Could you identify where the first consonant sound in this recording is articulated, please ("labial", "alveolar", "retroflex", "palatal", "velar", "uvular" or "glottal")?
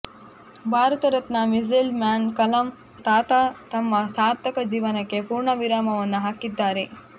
labial